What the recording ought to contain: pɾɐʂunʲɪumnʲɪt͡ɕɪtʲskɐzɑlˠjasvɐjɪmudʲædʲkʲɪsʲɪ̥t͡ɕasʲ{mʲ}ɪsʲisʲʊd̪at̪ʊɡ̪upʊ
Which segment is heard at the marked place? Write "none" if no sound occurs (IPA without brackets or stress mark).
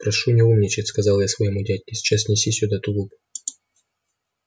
nʲ